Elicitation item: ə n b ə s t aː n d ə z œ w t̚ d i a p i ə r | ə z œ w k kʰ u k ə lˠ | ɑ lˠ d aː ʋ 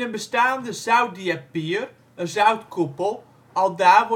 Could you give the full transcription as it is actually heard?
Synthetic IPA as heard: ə n b ə s t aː n d ə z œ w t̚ d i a p i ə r | ə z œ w t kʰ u p ə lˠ | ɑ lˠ d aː ʋ